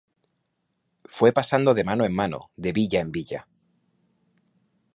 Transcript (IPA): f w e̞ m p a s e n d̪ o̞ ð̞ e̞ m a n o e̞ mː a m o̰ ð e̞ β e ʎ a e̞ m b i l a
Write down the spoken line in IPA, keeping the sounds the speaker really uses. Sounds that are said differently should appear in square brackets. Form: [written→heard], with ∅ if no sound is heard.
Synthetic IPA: f w e̞ [m→∅] p a s [e→a] n d̪ o̞ ð̞ e̞ m a n o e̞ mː a [m→n] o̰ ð e̞ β [e→i] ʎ a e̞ m b i [l→ʎ] a